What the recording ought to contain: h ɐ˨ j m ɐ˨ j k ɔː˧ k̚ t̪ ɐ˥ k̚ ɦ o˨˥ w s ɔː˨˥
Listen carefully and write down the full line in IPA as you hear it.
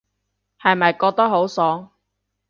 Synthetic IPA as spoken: h ɐ˨ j m ɐ˨ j k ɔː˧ k̚ t̪ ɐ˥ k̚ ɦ o˨˥ w s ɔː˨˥